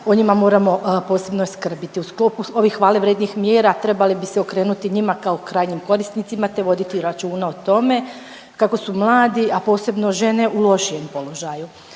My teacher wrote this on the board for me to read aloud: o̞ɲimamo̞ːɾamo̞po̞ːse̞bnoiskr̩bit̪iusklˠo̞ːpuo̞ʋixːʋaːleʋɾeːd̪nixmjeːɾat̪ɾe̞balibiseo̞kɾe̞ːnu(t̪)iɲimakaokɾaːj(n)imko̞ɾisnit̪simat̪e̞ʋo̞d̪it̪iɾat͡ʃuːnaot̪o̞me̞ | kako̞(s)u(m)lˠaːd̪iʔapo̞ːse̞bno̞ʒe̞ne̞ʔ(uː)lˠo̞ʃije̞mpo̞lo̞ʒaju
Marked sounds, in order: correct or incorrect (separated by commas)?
correct, incorrect, correct, correct, incorrect